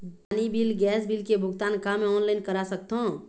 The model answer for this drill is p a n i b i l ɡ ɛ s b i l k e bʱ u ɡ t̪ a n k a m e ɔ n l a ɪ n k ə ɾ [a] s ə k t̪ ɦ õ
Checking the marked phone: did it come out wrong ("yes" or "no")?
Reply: no